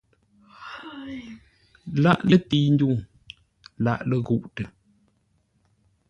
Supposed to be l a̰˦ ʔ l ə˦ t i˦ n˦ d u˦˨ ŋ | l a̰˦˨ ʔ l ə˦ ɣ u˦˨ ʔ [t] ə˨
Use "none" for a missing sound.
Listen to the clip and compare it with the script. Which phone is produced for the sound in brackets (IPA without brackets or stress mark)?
t